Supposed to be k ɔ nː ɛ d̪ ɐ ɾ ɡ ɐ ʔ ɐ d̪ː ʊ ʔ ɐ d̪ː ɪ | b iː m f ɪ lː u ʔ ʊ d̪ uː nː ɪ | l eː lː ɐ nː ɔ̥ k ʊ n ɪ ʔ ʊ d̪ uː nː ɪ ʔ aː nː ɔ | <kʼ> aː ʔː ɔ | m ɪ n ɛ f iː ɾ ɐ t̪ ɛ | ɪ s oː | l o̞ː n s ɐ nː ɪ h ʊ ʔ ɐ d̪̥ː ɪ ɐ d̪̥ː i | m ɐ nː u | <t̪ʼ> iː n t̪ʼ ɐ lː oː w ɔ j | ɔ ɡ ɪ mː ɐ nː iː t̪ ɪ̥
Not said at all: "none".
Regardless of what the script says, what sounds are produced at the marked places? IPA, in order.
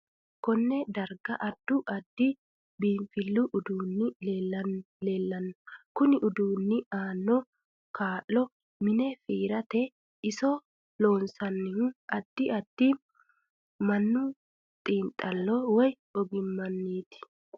k, t̪ʼ

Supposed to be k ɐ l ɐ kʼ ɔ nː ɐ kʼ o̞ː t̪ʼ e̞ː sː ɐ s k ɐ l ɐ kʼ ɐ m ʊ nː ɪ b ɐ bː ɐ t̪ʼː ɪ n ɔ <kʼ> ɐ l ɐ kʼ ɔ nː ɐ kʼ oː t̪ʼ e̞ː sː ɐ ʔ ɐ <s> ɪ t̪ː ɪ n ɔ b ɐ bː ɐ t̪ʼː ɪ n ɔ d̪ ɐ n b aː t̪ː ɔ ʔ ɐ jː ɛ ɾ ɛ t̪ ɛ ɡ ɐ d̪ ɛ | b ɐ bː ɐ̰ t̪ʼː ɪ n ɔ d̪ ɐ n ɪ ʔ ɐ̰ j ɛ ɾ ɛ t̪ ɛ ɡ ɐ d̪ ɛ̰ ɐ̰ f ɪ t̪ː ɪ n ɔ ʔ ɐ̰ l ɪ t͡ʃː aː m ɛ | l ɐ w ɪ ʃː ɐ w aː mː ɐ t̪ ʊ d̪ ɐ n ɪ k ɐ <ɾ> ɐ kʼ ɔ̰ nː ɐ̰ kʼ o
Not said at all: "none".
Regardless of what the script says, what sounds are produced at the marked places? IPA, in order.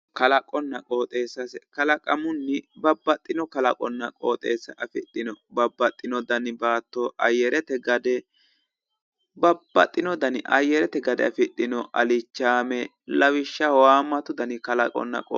k, f, l

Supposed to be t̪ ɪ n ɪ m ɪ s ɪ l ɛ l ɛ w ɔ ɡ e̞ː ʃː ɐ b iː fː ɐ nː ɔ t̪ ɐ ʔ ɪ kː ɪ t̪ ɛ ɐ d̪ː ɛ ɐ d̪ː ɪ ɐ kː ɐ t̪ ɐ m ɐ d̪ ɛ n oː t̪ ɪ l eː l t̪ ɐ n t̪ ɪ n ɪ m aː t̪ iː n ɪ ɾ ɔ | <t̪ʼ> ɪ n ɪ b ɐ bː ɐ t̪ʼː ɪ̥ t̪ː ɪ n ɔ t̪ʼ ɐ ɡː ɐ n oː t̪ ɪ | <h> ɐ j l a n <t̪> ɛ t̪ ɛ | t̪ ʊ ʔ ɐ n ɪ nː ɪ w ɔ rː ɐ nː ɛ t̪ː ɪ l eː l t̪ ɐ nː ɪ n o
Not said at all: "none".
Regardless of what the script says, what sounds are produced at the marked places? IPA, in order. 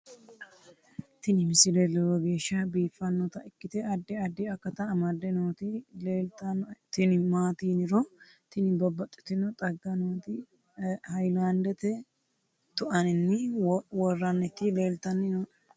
t̪, h, d̪

